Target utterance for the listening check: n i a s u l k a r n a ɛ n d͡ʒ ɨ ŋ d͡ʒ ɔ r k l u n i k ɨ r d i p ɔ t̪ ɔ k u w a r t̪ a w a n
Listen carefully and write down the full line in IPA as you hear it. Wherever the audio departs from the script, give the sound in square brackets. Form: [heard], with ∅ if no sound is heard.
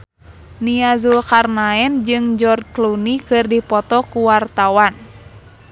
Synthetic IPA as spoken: n i a [z] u l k a r n a ɛ n d͡ʒ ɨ ŋ d͡ʒ ɔ r k l u n i k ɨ r d i p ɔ t̪ ɔ k u w a r t̪ a w a n